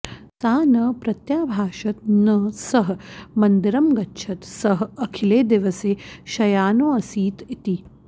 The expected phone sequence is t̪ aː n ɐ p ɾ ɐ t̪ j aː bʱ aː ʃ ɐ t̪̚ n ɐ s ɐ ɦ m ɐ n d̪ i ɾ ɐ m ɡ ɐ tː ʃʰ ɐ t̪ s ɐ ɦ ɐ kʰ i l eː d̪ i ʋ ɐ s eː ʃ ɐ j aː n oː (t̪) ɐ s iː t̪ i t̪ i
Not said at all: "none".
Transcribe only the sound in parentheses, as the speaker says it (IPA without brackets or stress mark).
none